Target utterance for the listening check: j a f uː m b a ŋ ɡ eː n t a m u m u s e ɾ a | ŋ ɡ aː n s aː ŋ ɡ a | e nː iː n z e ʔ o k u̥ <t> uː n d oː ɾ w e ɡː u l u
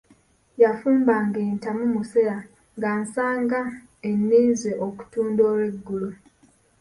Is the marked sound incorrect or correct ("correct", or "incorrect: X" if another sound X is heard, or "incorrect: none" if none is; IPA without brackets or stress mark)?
correct